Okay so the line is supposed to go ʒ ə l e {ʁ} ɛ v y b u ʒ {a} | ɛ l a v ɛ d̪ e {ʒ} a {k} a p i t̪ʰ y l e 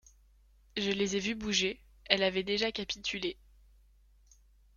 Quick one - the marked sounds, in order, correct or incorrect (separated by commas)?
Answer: incorrect, incorrect, correct, correct